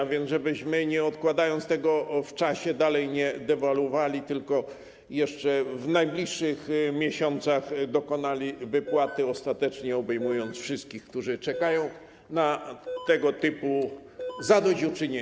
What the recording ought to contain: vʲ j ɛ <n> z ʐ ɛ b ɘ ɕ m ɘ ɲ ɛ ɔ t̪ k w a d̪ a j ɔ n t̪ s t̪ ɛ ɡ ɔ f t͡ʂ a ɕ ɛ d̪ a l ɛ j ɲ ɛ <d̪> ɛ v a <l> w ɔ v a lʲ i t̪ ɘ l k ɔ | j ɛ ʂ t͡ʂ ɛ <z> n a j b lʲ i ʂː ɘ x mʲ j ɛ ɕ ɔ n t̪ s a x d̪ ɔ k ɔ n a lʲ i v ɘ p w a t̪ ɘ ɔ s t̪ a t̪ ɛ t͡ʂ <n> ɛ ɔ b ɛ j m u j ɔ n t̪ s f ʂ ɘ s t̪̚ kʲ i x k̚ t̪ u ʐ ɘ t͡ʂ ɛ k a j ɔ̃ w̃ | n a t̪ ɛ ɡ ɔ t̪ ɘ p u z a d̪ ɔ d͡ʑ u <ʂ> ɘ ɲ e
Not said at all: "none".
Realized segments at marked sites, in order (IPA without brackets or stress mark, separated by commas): n, d̪, l, v, ɲ, t͡ʂ